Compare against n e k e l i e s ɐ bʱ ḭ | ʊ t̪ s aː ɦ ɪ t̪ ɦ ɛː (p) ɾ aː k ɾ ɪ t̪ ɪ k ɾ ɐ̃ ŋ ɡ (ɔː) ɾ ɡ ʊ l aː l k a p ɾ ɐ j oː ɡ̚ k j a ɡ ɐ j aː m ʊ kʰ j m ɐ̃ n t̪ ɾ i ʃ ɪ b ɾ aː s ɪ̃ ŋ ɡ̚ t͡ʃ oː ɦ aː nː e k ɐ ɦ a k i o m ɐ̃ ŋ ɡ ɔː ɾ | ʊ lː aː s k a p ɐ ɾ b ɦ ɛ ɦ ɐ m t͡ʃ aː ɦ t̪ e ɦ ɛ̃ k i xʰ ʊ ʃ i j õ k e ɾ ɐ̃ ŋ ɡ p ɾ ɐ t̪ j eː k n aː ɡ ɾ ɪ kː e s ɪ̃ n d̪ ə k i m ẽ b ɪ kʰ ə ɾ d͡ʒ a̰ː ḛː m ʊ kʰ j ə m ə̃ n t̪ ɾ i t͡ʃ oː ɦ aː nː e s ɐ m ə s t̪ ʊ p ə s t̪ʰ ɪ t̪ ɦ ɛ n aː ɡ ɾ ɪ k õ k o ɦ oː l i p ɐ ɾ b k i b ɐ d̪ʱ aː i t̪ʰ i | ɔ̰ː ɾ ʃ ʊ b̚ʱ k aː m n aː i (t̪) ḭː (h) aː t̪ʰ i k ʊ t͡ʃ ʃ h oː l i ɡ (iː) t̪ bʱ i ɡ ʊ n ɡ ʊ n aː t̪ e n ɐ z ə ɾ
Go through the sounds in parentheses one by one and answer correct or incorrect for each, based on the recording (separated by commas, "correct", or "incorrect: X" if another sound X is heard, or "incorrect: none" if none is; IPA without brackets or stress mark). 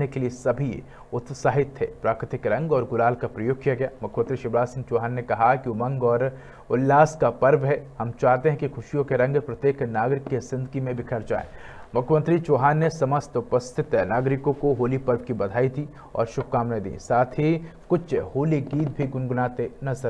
correct, correct, incorrect: d̪, incorrect: s, correct